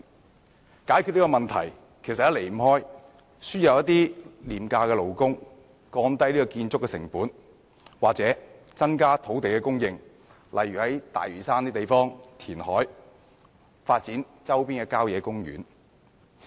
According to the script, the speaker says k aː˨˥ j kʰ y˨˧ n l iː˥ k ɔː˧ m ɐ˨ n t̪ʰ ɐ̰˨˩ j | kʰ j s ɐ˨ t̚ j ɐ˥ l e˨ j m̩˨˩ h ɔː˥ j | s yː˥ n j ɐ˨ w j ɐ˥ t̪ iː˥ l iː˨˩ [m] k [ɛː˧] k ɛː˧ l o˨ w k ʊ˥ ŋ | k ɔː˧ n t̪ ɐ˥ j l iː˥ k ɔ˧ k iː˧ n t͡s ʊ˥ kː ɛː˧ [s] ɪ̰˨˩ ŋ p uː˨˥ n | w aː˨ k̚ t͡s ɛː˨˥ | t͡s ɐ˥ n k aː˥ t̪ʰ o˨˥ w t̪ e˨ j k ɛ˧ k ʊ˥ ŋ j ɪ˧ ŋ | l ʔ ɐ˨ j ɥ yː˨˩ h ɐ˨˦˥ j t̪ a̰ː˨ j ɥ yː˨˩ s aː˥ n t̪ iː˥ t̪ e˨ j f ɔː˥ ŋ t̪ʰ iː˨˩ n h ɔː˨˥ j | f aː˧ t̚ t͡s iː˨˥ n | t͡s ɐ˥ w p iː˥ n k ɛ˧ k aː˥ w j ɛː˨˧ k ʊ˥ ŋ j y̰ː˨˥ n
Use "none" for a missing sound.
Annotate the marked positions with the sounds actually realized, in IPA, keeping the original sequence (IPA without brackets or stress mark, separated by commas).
m, aː˧, s